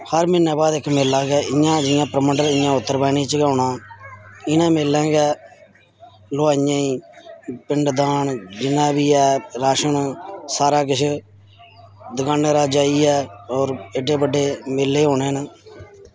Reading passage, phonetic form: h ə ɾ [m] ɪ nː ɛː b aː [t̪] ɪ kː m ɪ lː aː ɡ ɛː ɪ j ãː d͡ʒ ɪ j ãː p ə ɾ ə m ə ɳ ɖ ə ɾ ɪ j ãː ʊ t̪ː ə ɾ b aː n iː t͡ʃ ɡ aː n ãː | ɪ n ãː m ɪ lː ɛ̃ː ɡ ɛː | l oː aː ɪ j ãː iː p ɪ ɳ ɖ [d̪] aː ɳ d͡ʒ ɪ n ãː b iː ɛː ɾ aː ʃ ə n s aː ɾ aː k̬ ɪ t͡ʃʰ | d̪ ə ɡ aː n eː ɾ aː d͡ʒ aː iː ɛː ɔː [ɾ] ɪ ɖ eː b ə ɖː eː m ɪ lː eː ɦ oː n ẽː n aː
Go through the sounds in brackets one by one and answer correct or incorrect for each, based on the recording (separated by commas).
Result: correct, incorrect, correct, correct